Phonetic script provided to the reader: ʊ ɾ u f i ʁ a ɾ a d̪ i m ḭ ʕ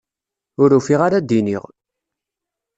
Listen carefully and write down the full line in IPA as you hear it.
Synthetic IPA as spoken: ʊ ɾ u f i ʁ a ɾ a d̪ i n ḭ ʁ